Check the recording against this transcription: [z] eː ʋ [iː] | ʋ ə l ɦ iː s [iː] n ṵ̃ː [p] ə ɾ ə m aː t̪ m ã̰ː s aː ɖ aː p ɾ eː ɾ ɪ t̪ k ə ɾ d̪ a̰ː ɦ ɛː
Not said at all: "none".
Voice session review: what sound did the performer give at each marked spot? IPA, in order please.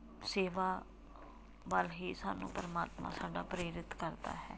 s, aː, aː, p

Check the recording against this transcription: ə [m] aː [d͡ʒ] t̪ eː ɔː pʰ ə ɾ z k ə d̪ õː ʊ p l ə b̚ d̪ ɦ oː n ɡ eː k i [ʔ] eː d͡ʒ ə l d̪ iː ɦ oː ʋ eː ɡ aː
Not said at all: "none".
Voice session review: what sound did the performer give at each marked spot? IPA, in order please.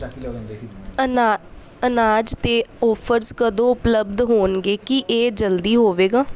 n, d͡ʒ, ʔ

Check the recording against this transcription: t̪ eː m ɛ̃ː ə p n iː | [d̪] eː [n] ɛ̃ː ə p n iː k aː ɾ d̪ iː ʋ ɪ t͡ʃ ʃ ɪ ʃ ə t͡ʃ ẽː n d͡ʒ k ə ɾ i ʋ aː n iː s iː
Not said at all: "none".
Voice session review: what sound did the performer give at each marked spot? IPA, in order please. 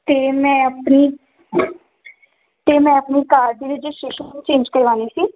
t̪, m

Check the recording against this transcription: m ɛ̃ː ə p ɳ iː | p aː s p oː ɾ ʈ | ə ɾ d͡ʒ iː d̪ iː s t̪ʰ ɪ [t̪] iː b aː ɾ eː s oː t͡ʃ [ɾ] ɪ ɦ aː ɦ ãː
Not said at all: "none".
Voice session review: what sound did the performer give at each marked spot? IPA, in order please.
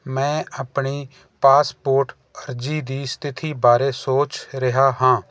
t̪ʰ, ɾ

